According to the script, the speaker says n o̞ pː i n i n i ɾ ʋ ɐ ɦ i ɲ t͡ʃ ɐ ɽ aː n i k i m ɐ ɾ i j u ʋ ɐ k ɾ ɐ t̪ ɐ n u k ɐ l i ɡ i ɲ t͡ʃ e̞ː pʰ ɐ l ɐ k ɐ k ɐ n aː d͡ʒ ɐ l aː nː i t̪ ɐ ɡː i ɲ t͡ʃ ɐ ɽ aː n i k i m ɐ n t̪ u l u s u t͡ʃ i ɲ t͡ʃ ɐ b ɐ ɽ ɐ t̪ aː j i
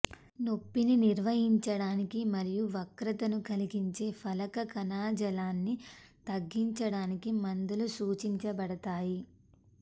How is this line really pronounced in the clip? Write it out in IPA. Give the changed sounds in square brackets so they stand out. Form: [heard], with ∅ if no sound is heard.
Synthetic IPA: n o̞ pː i n i n i ɾ ʋ ɐ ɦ i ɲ t͡ʃ ɐ ɽ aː n i k i m ɐ ɾ i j u ʋ ɐ k ɾ ɐ t̪ ɐ n u k ɐ l i ɡ i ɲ t͡ʃ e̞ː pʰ ɐ l ɐ k ɐ k ɐ n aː d͡ʒ ɐ l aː nː i t̪ ɐ ɡː i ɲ t͡ʃ ɐ ɽ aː n i k i m ɐ n [d̪] u l u s [uː] t͡ʃ i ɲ t͡ʃ ɐ b ɐ ɽ ɐ t̪ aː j i